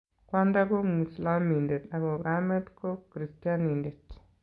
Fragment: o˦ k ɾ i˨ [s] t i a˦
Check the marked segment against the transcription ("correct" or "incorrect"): correct